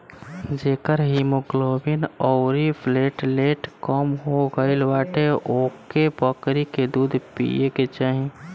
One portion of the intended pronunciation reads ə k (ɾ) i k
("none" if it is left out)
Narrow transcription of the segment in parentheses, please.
ɾ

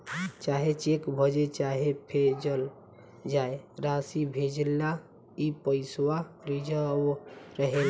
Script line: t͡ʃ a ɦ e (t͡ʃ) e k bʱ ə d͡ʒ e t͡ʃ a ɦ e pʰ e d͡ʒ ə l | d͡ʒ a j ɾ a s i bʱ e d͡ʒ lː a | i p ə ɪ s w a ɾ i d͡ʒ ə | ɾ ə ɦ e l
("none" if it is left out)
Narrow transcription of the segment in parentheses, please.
t͡ʃ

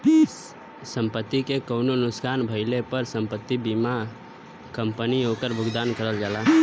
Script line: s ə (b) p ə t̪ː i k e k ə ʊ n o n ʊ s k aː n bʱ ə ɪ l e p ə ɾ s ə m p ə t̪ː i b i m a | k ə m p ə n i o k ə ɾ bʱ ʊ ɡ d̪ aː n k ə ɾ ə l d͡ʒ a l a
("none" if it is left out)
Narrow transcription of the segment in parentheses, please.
m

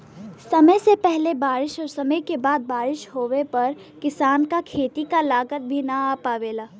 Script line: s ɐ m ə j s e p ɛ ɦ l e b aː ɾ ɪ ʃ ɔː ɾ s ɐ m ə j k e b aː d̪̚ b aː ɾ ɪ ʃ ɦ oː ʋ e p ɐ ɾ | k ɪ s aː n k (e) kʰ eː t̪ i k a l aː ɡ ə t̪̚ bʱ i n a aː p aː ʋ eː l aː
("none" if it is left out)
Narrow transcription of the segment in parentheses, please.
a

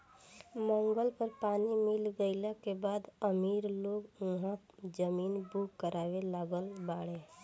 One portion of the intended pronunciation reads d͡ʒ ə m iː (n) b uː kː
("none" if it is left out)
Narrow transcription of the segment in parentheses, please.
n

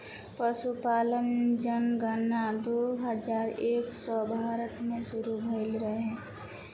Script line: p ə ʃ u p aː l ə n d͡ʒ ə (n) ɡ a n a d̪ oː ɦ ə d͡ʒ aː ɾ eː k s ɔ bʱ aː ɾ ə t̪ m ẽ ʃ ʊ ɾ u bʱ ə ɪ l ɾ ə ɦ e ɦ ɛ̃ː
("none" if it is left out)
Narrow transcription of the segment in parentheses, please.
n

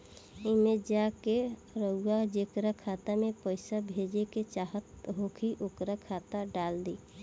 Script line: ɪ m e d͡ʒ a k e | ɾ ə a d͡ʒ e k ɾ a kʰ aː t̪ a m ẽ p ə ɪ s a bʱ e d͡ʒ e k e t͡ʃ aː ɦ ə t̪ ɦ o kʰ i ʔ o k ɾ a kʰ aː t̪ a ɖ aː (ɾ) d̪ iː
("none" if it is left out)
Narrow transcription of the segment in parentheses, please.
l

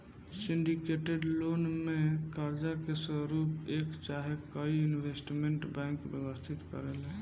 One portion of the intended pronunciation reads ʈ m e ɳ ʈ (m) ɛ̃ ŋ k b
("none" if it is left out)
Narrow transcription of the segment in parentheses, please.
b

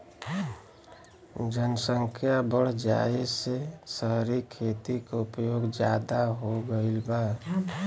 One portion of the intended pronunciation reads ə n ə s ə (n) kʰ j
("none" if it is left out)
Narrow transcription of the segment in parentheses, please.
ŋ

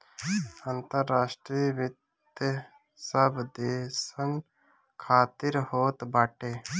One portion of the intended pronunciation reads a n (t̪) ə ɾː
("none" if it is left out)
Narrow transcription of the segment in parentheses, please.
t̪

